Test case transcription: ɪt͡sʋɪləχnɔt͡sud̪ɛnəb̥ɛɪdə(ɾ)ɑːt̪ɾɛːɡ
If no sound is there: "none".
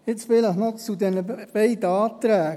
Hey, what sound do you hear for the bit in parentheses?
none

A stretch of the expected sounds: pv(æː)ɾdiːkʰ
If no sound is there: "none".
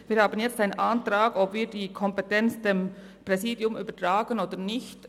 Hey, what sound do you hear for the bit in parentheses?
iː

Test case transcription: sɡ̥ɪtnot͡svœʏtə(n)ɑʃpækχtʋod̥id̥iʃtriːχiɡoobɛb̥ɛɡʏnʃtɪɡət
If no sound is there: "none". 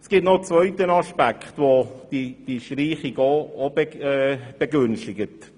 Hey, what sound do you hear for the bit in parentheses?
n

